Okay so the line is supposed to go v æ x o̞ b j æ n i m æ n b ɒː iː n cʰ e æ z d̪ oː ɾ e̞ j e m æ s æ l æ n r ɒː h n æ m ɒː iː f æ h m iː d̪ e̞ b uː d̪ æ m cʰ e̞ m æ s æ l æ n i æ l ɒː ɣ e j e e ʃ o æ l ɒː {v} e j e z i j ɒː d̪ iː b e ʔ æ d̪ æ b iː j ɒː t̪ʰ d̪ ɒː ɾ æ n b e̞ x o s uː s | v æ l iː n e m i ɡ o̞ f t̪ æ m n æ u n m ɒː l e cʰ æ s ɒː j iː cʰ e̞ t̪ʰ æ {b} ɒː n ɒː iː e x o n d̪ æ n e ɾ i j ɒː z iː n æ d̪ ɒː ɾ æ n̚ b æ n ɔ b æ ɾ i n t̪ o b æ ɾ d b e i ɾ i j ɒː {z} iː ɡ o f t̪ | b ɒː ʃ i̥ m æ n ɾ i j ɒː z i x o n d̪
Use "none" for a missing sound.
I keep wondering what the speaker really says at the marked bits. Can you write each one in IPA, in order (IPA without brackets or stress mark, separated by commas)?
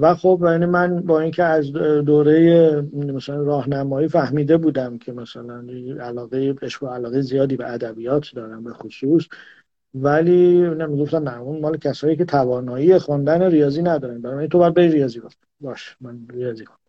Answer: ɣ, v, z